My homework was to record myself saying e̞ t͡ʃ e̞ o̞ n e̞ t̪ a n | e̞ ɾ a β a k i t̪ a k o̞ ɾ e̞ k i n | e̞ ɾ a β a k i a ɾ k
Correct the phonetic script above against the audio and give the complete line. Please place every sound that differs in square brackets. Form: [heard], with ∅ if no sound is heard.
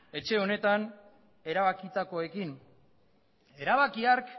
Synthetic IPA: e̞ t͡ʃ e̞ o̞ n e̞ t̪ a n | e̞ ɾ a β a k i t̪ a k o̞ [∅] e̞ k i n | e̞ ɾ a β a k i a ɾ k